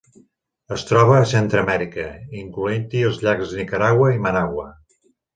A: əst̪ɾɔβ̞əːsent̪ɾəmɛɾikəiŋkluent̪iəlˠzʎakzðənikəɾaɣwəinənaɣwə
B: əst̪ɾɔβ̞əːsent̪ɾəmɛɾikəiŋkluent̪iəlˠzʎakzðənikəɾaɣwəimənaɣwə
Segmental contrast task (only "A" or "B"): B